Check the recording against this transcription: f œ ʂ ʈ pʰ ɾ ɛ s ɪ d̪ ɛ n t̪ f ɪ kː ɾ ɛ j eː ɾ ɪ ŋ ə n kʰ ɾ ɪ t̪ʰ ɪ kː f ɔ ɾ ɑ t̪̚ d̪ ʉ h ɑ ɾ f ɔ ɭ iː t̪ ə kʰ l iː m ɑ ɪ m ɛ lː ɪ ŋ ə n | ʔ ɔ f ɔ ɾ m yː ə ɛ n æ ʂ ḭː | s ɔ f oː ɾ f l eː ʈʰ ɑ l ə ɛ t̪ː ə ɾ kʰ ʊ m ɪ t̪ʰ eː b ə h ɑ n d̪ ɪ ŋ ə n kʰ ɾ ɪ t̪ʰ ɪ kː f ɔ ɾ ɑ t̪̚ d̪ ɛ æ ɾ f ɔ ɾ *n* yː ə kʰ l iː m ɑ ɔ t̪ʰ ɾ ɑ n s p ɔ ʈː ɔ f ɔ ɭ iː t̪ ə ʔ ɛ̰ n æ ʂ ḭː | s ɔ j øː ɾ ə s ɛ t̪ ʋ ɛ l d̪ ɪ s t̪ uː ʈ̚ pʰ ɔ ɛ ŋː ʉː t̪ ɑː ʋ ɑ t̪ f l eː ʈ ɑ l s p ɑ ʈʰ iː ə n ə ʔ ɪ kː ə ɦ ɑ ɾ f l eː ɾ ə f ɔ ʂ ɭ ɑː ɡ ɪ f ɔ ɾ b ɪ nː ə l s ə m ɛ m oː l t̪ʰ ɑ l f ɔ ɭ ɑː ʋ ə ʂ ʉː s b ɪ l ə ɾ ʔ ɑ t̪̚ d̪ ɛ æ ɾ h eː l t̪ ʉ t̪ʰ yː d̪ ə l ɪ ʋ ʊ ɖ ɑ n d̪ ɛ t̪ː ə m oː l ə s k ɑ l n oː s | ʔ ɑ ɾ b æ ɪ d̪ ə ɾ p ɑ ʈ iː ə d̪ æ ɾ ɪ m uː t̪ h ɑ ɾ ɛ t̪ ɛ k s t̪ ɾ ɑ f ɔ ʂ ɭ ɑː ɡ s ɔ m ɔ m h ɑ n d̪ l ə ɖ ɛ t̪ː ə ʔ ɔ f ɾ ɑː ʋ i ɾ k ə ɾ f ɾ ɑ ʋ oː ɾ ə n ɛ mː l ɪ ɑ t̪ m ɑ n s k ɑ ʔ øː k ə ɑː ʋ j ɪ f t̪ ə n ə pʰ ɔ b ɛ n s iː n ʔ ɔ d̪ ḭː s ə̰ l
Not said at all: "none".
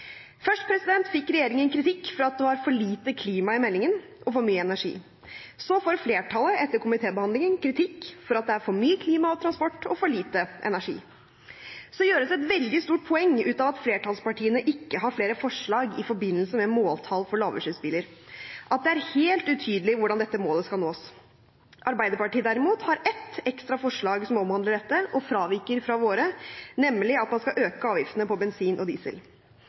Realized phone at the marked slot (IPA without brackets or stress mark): m